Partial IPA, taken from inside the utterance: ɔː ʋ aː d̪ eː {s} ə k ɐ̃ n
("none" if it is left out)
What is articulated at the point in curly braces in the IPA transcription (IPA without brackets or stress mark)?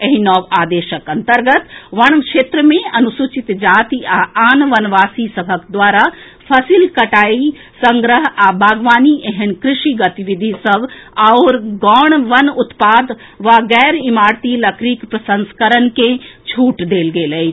ʃ